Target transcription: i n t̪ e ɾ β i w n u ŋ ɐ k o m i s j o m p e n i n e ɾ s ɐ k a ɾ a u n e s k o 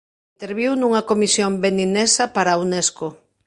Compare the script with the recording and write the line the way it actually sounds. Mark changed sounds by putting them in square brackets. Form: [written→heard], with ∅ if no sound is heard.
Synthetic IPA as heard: i n t̪ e ɾ β i w n u ŋ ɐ k o m i s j o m [p→b] e n i n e [ɾ→∅] s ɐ [k→p] a ɾ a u n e s k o